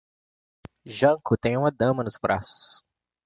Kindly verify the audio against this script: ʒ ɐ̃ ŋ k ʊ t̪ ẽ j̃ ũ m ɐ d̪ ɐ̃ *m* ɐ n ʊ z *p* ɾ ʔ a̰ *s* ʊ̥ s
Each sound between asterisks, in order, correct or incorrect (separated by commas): correct, incorrect, correct